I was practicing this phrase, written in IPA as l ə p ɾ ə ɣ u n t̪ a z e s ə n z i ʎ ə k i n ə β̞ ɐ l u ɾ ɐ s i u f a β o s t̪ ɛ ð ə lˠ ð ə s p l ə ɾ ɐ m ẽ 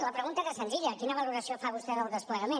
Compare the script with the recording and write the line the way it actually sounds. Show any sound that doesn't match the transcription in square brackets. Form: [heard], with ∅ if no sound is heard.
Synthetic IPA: l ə p ɾ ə ɣ u n t̪ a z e s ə n z i ʎ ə k i n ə β̞ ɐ l u ɾ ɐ s i [o] f a β [u] s t̪ ɛ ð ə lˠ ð ə s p l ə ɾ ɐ m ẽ

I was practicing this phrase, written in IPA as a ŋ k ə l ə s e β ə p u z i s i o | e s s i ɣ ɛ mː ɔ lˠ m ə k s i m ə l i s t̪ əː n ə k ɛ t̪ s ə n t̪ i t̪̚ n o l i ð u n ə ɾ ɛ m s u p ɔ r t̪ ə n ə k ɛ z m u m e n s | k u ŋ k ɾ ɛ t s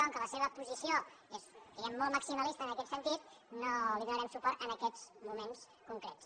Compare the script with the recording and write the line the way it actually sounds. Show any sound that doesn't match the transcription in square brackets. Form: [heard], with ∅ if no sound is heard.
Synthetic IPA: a ŋ k ə l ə s e β ə p u z i s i o | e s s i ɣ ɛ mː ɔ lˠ m ə k s i m ə l i s t̪ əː n ə k ɛ t̪ s ə n t̪ i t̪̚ n o l i ð u n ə ɾ ɛ m s u p ɔ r t̪ ə n ə k ɛ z m u m e n s | k u ŋ k ɾ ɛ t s

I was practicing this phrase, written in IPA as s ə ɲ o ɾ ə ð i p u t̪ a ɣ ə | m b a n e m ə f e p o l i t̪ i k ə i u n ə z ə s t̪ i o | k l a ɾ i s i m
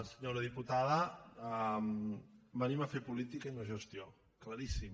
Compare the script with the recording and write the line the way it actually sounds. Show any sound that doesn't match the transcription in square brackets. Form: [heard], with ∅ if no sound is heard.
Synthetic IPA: s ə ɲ o ɾ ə ð i p u t̪ a [ð] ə | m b [ə] n [i] m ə f e p [u] l i t̪ i k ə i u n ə [ʒ] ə s t̪ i o | k l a ɾ i s i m

